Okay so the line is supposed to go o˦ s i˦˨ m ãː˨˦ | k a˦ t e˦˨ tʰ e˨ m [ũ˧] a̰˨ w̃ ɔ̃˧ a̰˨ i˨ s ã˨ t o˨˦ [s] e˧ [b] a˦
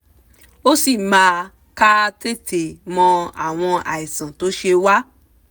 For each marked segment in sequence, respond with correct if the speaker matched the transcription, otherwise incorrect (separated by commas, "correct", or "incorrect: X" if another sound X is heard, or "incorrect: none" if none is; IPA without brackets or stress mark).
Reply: incorrect: ɔ̃˧, incorrect: ʃ, incorrect: w